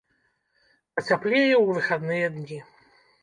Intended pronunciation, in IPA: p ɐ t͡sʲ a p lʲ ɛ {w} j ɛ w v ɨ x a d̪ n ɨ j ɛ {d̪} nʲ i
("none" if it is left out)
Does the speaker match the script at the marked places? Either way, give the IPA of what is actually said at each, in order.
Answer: none, d̪

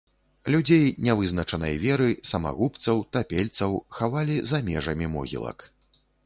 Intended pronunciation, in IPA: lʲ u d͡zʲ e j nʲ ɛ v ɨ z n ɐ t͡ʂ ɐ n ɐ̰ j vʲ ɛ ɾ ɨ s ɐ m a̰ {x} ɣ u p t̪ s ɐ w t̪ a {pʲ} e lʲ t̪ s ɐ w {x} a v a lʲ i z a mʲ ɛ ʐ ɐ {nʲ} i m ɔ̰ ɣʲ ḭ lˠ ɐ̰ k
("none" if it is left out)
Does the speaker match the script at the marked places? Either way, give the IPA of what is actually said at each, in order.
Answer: none, pʲ, x, mʲ

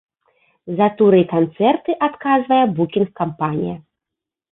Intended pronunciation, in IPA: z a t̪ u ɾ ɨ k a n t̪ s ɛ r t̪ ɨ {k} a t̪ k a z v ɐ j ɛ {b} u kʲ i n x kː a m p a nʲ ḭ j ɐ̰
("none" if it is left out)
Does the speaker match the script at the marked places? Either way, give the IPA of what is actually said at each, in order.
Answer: ʔ, b

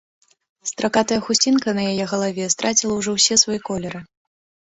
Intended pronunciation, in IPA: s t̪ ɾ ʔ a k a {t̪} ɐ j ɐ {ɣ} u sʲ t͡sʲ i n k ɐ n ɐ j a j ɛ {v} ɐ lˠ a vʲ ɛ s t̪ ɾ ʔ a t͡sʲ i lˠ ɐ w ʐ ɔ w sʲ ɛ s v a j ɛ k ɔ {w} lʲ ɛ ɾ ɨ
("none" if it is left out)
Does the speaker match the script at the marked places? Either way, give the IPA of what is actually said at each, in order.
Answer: t̪, x, ɣ, none

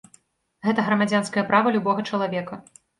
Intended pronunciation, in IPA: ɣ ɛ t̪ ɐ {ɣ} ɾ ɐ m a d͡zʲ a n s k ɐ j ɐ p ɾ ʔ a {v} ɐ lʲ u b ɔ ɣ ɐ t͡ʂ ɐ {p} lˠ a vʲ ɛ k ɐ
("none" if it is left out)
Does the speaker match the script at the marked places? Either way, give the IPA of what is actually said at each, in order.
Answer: ɣ, v, none

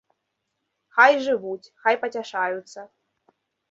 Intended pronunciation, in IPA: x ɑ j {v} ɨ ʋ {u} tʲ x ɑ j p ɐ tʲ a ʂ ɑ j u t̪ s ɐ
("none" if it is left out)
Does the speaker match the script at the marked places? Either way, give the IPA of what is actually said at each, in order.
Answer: ʐ, u

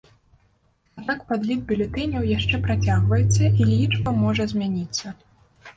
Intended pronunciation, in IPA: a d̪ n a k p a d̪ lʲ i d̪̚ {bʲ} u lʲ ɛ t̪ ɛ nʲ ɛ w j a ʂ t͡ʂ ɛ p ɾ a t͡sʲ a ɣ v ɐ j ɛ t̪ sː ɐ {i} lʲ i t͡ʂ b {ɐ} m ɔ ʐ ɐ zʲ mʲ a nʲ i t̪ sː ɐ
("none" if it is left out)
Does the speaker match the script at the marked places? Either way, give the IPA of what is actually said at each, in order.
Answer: bʲ, i, ɐ

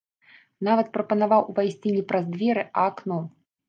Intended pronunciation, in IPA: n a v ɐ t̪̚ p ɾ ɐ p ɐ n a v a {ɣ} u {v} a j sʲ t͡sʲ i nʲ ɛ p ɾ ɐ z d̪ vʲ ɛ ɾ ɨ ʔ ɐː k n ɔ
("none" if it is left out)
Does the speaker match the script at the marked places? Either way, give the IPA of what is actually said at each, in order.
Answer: w, v

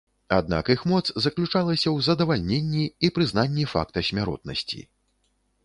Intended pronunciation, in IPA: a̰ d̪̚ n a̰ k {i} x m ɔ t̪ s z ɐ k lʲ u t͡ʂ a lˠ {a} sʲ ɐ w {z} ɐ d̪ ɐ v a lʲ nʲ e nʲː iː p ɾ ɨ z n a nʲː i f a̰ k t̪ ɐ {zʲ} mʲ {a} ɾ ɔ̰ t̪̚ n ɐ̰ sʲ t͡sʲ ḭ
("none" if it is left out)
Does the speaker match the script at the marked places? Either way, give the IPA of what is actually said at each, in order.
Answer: i, ɐ, z, sʲ, a

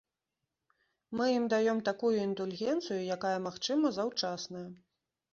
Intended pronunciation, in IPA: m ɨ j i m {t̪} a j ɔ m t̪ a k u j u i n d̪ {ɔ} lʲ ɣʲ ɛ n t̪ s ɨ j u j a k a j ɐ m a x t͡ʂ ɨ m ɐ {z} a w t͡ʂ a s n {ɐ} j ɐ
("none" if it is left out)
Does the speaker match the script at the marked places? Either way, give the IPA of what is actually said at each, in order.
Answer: d̪, u, z, ɐ

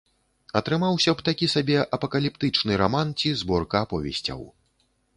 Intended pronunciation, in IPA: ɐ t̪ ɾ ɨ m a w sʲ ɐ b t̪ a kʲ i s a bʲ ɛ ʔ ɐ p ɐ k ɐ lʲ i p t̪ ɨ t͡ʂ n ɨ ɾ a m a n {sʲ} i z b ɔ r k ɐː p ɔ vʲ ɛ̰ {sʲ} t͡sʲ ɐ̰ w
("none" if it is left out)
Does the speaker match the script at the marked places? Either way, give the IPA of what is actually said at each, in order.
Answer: t͡sʲ, sʲ

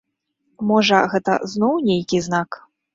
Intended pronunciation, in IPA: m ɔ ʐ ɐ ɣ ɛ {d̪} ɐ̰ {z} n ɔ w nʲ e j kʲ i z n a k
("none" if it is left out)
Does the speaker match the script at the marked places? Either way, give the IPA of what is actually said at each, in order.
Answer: t̪, z

